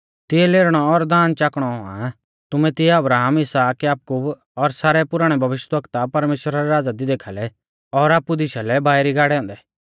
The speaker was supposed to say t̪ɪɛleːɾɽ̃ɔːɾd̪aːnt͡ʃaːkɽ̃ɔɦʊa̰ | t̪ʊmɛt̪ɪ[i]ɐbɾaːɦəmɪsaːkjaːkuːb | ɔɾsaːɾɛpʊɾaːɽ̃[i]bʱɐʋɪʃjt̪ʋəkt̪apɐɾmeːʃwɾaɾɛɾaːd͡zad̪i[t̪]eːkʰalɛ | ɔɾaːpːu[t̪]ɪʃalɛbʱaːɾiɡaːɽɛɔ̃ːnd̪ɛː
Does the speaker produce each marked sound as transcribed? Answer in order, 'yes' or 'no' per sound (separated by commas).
no, no, no, no